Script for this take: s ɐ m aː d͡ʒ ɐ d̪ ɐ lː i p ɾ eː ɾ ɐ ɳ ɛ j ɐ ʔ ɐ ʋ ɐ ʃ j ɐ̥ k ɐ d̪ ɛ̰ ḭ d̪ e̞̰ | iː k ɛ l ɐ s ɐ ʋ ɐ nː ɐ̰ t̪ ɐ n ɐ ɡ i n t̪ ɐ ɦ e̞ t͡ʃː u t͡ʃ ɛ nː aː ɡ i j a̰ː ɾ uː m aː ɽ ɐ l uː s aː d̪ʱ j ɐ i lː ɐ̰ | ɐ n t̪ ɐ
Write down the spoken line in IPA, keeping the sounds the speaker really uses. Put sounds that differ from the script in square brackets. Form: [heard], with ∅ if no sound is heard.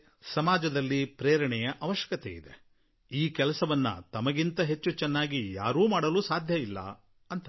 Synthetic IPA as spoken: s ɐ m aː d͡ʒ ɐ d̪ ɐ lː i p ɾ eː ɾ ɐ ɳ ɛ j ɐ ʔ ɐ ʋ ɐ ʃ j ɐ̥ k ɐ [t̪] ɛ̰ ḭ d̪ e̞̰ | iː k ɛ l ɐ s ɐ ʋ ɐ nː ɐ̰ t̪ ɐ [m] ɐ ɡ i n t̪ ɐ ɦ e̞ t͡ʃː u t͡ʃ ɛ nː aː ɡ i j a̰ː ɾ uː m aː ɽ ɐ l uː s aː d̪ʱ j ɐ i lː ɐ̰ | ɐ n t̪ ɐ